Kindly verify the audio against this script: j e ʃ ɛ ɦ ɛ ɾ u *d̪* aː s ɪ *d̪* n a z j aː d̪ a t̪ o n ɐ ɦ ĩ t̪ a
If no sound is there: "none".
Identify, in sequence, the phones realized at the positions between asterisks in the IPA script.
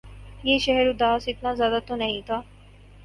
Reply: d̪, t̪

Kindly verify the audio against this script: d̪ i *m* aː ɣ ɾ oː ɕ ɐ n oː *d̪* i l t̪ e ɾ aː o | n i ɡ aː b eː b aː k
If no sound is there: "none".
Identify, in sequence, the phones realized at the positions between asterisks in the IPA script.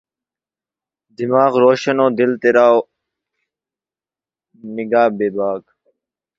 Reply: m, d̪

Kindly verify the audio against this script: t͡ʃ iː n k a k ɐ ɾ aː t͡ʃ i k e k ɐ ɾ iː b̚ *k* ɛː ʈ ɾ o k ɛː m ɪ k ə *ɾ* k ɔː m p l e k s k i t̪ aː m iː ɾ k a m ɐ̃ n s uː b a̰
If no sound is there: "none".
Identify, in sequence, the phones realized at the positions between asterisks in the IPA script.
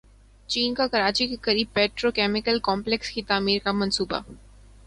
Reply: p, l

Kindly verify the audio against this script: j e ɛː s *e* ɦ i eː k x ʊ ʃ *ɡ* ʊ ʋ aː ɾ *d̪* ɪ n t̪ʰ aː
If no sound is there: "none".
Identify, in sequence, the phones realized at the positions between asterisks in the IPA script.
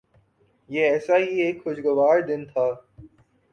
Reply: a, ɡ, d̪

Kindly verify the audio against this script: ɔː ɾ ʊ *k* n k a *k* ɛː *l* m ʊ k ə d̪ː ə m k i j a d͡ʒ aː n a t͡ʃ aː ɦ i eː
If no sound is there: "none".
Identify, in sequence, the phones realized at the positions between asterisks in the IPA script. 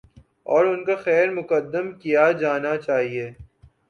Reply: none, x, ɾ

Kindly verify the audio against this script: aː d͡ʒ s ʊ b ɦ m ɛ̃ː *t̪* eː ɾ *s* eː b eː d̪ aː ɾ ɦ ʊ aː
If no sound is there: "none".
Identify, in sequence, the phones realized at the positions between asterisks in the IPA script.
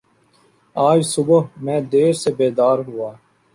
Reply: d̪, s

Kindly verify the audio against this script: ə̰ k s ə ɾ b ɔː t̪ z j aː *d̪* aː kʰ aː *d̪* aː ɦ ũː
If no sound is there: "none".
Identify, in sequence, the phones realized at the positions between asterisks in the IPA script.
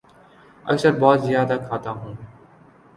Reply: d̪, t̪

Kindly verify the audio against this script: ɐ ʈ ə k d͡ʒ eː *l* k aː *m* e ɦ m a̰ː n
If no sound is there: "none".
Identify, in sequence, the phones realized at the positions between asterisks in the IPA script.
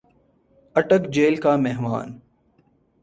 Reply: l, m

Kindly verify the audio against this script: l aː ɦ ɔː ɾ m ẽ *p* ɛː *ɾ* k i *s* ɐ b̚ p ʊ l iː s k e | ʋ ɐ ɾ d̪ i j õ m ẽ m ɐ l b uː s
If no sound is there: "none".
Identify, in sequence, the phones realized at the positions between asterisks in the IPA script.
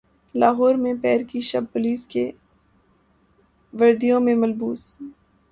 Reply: p, ɾ, ʃ

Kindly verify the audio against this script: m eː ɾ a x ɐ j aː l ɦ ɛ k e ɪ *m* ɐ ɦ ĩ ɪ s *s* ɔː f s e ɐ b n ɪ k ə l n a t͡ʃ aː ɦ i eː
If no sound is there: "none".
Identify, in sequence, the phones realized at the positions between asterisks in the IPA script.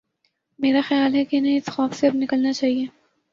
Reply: n, x

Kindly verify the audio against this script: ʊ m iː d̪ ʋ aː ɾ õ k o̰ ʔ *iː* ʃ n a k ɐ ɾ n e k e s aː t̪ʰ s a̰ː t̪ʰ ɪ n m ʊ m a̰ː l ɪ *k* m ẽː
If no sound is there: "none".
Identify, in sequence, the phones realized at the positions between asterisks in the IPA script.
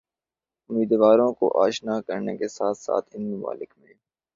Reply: aː, k

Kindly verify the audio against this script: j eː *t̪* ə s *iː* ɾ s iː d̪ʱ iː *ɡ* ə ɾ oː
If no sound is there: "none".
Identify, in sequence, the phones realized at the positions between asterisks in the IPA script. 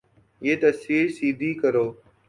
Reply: t̪, iː, k

